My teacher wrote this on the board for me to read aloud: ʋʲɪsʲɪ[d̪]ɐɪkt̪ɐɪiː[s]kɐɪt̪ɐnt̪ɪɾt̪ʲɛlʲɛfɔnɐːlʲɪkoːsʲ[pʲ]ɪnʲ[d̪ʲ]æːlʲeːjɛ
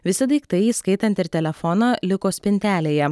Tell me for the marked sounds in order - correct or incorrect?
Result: correct, correct, correct, incorrect

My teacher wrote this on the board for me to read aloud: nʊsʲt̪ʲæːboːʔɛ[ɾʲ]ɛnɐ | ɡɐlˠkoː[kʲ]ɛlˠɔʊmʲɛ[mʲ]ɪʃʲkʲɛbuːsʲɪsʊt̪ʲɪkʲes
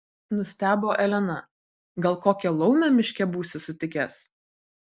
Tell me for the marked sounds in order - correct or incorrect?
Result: incorrect, correct, correct

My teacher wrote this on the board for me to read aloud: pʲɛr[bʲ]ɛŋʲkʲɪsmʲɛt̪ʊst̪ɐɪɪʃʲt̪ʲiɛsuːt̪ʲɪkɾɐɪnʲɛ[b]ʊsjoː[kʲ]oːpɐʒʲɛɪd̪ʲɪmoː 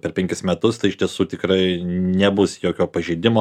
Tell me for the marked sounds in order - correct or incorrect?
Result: incorrect, correct, correct

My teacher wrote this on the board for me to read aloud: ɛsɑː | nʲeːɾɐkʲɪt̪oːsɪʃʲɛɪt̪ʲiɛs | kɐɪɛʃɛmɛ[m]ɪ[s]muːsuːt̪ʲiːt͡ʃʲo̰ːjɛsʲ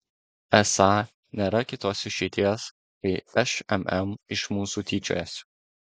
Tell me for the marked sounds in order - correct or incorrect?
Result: correct, incorrect

